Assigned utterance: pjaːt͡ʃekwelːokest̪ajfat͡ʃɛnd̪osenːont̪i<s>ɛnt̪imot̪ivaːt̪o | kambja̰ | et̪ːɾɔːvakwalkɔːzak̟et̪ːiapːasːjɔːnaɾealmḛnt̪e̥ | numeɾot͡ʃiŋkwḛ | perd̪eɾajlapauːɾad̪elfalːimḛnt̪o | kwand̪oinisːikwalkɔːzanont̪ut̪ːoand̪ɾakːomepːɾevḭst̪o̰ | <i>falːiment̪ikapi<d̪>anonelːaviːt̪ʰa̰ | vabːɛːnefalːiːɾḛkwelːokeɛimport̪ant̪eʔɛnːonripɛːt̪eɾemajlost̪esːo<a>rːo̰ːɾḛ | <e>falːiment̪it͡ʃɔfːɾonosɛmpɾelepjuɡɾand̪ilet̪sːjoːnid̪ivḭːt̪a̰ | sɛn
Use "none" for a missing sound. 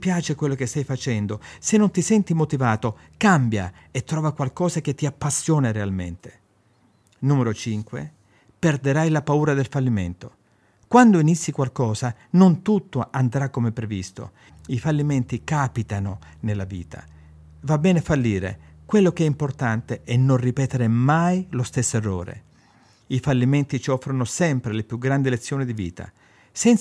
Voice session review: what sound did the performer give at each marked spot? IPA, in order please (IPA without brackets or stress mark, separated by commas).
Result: s, i, t̪, e, i